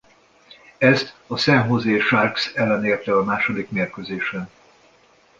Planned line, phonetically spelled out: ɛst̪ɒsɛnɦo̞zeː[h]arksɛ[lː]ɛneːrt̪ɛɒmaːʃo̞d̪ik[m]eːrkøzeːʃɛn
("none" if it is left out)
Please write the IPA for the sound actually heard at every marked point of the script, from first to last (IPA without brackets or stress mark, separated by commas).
ʃ, lː, m